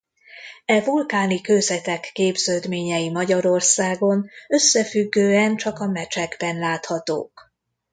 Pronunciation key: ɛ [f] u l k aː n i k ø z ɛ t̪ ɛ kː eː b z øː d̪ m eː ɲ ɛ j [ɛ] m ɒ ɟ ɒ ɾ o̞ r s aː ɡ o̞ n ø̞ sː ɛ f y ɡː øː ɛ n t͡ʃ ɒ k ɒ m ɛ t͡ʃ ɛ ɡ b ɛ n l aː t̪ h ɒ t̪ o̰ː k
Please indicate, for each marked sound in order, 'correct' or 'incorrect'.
incorrect: v, incorrect: i

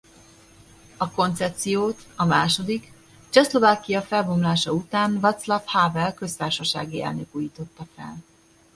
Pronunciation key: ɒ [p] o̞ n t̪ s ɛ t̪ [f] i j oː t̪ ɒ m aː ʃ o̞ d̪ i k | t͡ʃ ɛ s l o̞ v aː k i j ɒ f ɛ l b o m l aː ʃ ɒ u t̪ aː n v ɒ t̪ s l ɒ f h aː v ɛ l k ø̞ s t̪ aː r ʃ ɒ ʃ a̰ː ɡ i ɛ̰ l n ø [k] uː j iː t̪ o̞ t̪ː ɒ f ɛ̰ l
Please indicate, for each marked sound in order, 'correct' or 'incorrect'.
incorrect: k, incorrect: s, correct

